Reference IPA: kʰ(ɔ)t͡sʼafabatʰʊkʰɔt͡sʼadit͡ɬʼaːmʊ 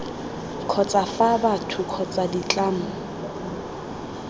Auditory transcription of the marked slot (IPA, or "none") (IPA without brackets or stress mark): ɔ